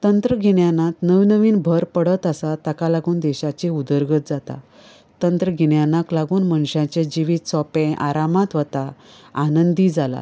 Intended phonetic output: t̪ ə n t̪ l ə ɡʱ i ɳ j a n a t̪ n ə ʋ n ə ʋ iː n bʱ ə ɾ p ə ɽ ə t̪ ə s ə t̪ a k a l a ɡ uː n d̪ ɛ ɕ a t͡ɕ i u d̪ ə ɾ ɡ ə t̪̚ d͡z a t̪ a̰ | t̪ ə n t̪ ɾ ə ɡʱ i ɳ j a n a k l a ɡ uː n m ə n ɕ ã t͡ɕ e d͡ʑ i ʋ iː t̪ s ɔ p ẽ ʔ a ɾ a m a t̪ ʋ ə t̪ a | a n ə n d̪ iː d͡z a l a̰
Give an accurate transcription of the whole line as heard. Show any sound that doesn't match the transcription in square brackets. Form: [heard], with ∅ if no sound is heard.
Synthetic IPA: t̪ ə n t̪ [ɾ] ə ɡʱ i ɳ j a n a t̪ n ə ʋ n ə ʋ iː n bʱ ə ɾ p ə ɽ ə t̪ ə s [a] t̪ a k a l a ɡ uː n d̪ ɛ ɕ a t͡ɕ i u d̪ ə ɾ ɡ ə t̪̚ d͡z a t̪ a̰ | t̪ ə n t̪ ɾ ə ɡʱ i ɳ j a n a k l a ɡ uː n m ə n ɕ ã t͡ɕ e d͡ʑ i ʋ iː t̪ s ɔ p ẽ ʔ a ɾ a m a t̪ ʋ ə t̪ a | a n ə n d̪ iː d͡z a l a̰